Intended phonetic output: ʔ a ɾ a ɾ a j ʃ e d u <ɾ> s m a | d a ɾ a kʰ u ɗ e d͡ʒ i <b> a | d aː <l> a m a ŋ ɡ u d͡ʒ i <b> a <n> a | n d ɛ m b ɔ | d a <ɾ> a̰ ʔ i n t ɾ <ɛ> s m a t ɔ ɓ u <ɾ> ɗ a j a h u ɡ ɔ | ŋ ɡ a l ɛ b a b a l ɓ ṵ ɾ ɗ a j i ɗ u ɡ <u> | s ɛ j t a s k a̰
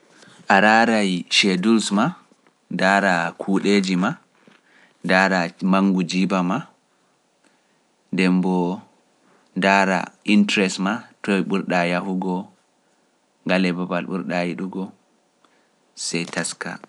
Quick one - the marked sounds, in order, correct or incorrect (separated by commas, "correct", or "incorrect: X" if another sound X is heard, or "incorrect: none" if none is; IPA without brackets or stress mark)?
incorrect: l, incorrect: m, incorrect: ɾ, correct, incorrect: m, correct, correct, correct, incorrect: ɔ